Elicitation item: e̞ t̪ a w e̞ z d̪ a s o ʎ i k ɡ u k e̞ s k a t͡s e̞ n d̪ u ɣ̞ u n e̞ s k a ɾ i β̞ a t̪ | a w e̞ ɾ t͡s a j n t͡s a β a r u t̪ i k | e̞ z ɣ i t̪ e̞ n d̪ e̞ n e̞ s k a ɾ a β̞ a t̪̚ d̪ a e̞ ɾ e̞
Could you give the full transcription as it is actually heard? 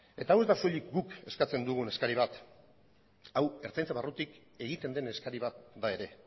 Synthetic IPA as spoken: e̞ t̪ a w e̞ z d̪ a s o ʎ i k ɡ u k e̞ s k a t͡s e̞ n d̪ u ɣ̞ u n e̞ s k a ɾ i β̞ a t̪ | a w e̞ ɾ t͡s a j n t͡s a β a r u t̪ i k | e̞ ɣ i t̪ e̞ n d̪ e̞ n e̞ s k a ɾ i β̞ a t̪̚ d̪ a e̞ ɾ e̞